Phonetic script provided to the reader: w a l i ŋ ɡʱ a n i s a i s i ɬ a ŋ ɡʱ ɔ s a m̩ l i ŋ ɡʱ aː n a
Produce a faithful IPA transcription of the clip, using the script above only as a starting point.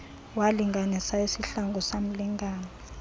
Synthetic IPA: w a l i ŋ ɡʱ a n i s a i s i ɬ a ŋ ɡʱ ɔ s a m̩ l i ŋ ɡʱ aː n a